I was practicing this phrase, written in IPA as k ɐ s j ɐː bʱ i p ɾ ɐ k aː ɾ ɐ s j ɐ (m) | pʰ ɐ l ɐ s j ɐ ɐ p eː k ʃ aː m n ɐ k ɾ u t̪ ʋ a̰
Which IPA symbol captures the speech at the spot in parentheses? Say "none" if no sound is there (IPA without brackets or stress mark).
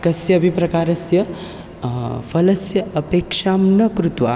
none